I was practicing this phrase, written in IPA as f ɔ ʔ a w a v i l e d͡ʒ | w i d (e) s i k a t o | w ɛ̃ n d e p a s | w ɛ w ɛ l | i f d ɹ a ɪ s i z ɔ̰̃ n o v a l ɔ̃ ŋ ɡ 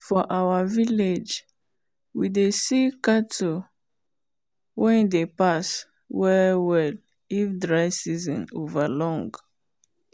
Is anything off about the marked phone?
no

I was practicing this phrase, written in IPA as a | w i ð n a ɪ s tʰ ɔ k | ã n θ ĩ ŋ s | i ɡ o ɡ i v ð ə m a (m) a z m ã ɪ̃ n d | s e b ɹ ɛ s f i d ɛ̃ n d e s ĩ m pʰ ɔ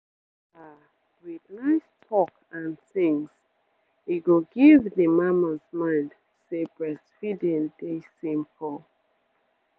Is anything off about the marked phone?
no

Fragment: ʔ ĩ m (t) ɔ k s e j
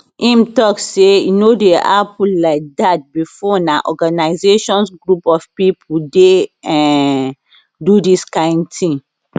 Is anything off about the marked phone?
no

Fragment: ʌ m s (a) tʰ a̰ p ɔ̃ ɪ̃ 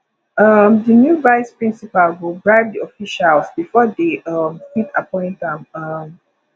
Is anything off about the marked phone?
yes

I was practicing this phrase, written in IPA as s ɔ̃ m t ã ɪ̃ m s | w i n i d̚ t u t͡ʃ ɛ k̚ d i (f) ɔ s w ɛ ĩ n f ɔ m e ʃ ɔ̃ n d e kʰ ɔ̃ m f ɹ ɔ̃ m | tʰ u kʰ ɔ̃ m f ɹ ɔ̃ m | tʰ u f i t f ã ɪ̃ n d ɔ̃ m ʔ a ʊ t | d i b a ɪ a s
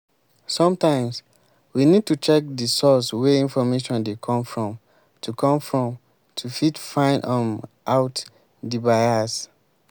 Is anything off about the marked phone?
yes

